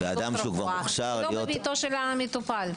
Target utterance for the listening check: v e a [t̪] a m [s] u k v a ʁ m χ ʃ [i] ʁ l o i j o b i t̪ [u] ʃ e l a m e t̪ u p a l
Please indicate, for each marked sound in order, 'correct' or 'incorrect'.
incorrect: d̪, incorrect: ʃ, incorrect: a, incorrect: o

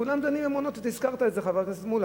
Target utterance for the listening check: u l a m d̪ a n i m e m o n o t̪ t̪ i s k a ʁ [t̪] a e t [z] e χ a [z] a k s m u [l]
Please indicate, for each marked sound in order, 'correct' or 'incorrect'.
correct, correct, incorrect: v, correct

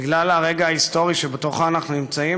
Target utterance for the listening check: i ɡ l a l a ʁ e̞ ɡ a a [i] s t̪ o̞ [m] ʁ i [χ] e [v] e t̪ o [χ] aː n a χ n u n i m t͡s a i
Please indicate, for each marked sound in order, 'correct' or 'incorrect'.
correct, incorrect: none, incorrect: ʃ, incorrect: b, correct

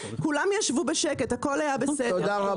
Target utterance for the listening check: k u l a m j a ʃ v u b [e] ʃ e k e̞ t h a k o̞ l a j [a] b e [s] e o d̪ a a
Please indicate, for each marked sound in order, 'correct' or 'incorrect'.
correct, correct, correct

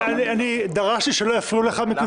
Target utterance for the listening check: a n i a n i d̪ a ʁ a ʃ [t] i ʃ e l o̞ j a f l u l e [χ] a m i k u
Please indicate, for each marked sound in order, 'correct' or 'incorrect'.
correct, correct

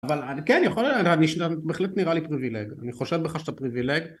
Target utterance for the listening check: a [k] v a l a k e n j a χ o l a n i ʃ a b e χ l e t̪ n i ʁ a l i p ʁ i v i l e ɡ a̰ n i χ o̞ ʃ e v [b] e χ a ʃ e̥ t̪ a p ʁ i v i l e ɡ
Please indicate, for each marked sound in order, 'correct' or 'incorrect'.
incorrect: none, correct

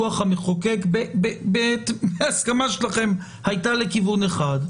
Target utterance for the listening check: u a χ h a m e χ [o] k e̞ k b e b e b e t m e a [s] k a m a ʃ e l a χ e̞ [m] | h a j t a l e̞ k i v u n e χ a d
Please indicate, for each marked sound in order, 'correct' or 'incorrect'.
correct, correct, correct

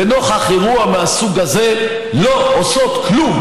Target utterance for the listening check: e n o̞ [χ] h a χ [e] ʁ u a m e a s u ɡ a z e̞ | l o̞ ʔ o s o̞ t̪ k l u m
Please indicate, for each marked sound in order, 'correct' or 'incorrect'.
correct, correct

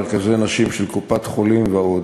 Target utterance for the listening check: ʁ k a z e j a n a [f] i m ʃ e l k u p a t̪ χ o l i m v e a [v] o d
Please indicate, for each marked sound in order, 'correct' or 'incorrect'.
incorrect: ʃ, incorrect: none

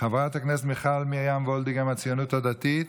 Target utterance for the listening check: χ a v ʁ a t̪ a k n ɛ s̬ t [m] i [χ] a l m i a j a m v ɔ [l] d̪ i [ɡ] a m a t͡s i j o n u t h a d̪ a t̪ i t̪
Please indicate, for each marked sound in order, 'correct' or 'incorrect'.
correct, correct, correct, correct

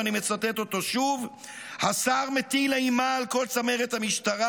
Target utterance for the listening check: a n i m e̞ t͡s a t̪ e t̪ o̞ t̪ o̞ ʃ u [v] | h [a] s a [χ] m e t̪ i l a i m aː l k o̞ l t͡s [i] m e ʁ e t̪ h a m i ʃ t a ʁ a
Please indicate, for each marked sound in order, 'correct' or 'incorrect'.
correct, correct, incorrect: ʁ, incorrect: a

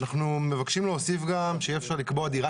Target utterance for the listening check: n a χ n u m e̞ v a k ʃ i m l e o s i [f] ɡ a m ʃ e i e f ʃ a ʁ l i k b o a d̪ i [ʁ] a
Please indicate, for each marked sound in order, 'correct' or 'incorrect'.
correct, correct

